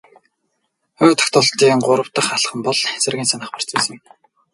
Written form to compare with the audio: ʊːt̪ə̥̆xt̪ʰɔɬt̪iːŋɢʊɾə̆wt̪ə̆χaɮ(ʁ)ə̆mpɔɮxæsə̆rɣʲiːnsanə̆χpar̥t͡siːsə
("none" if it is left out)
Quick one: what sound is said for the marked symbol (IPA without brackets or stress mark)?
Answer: χ